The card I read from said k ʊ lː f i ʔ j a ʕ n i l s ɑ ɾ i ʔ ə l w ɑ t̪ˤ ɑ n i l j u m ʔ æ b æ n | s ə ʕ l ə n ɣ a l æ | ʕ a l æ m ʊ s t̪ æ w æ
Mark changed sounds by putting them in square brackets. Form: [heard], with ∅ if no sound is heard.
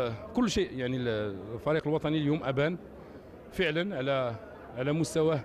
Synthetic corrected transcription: k ʊ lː [ʃ] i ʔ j a ʕ n i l [f] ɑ ɾ i [q] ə l w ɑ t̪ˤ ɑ n i l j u m ʔ æ b æ n | [f] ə ʕ l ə n [ʕ] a l æ | ʕ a l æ m ʊ s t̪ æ w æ